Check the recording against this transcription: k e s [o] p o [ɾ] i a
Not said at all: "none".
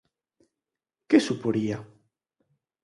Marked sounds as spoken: u, ɾ

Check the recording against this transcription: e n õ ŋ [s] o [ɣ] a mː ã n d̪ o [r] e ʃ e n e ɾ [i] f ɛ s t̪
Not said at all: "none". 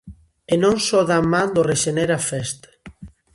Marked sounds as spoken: s, ð, r, a

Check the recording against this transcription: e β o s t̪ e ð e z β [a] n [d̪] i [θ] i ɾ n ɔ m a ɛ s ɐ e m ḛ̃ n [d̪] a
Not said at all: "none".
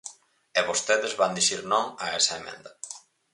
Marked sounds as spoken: a, d̪, ʃ, d̪

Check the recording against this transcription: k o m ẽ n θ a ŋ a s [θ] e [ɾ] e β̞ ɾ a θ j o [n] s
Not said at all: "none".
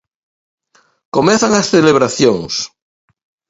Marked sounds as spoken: θ, l, ŋ

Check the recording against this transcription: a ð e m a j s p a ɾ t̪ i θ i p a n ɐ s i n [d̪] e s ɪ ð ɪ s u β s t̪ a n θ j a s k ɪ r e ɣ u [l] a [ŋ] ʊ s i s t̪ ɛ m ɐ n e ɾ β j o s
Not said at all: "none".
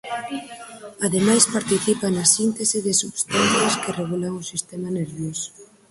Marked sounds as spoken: t̪, l, ŋ

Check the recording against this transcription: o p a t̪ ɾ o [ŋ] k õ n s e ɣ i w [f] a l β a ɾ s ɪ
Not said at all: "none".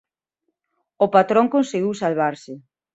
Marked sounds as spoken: ŋ, s

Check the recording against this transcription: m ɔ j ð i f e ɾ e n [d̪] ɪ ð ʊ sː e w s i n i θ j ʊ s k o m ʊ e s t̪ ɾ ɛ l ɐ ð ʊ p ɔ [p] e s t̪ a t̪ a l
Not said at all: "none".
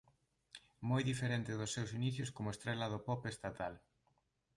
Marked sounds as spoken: t̪, p

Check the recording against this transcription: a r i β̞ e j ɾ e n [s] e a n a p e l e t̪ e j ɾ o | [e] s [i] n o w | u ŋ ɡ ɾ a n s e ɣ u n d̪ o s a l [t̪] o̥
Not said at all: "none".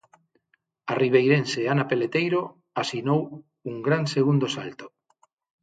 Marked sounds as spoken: s, a, i, t̪

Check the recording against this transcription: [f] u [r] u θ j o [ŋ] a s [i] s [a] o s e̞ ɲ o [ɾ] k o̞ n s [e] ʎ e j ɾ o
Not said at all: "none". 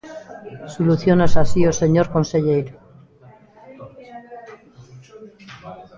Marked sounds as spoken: s, l, n, a, i, ɾ, e

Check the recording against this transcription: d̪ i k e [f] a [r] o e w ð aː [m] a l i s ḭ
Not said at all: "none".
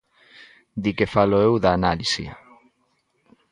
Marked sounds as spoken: f, l, n

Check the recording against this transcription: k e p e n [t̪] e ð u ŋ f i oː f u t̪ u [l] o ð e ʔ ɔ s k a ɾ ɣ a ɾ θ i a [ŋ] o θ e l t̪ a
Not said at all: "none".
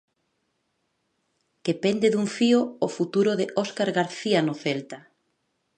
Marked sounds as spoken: d̪, ɾ, n

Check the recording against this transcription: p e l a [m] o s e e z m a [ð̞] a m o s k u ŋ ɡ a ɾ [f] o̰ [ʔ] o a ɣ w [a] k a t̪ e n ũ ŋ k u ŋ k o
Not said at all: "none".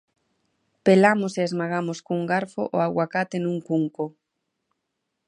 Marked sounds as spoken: m, ɣ̞, f, ʔ, a

